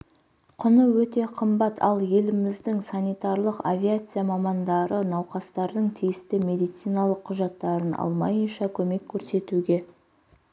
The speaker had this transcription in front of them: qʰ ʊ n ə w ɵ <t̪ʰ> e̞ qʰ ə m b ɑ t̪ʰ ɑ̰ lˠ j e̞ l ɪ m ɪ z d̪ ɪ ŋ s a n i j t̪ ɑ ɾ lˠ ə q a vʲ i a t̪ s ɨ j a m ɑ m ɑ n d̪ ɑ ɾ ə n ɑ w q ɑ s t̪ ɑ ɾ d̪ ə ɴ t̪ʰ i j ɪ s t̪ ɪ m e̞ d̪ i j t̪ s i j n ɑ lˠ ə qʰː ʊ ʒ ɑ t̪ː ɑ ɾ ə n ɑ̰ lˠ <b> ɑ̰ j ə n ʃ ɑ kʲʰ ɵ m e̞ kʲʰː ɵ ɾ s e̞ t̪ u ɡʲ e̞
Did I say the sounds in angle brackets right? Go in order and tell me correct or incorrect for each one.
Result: incorrect: t̪, incorrect: m

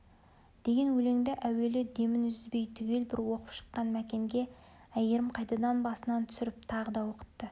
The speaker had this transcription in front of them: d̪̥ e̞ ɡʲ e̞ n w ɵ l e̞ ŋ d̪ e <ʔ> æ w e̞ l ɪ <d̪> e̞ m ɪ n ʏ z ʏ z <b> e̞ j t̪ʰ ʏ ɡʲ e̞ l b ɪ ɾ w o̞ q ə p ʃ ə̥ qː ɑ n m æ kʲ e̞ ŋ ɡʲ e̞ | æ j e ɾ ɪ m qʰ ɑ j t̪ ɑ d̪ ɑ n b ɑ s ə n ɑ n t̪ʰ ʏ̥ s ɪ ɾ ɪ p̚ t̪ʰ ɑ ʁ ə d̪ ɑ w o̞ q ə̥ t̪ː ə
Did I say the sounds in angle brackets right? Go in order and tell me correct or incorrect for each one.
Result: correct, correct, correct

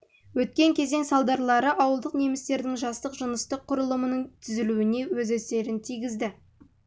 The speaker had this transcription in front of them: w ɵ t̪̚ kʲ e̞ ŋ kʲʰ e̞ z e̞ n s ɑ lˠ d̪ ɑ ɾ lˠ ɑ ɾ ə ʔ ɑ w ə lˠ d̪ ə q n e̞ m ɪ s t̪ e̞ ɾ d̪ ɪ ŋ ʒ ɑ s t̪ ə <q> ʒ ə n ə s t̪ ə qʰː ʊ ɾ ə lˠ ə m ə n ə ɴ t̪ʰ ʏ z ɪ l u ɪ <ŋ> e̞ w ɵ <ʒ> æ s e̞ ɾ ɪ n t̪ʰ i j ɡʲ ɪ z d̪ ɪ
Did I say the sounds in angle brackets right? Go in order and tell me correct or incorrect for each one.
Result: correct, incorrect: n, incorrect: z

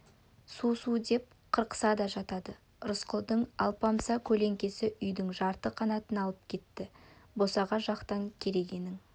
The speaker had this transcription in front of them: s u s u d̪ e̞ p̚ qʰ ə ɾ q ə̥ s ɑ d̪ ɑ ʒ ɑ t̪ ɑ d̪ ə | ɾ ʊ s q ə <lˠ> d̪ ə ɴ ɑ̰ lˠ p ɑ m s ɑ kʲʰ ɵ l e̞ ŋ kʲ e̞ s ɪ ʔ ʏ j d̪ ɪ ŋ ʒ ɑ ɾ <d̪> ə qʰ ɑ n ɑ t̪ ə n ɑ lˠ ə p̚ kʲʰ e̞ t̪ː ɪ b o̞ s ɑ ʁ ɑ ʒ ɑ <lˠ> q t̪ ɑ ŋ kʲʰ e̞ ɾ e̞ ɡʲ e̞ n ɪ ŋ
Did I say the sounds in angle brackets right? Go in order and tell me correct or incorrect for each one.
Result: correct, incorrect: t̪, incorrect: none

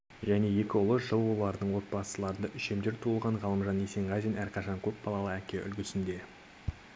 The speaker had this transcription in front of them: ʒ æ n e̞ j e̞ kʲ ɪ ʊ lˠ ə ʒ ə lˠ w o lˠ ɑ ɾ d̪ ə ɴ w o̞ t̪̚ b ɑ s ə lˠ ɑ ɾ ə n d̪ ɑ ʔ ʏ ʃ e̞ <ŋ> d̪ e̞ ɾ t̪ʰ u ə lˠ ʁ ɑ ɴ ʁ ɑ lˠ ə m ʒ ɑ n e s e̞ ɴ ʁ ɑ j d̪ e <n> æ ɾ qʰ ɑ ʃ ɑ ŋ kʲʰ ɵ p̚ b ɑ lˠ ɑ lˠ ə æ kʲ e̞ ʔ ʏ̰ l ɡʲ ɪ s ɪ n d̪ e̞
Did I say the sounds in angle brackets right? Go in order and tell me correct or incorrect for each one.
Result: incorrect: m, correct

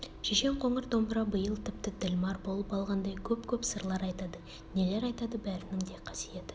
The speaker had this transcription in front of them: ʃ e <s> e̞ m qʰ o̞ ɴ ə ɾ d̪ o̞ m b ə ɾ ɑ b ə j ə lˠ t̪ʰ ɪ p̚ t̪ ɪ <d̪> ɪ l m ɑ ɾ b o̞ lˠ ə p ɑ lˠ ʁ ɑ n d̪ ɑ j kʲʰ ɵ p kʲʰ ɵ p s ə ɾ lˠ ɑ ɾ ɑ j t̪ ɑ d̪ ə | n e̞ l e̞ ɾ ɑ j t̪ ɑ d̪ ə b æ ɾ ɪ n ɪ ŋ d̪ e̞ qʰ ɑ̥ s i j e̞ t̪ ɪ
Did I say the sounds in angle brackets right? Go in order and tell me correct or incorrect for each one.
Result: incorrect: ʃ, correct

